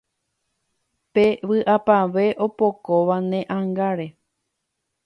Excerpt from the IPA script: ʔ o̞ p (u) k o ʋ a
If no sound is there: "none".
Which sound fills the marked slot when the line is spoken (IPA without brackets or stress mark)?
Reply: o